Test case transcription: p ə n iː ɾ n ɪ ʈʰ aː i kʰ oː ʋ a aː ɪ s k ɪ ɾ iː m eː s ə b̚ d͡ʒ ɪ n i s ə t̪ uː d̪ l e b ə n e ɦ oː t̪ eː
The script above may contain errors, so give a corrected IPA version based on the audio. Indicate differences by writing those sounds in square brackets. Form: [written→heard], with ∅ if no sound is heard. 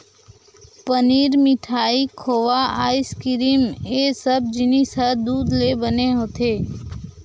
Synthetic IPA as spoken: p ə n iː ɾ [n→m] ɪ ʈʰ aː i kʰ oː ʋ a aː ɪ s k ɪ ɾ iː m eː s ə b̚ d͡ʒ ɪ n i s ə [t̪→d̪] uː d̪ l e b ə n e ɦ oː t̪ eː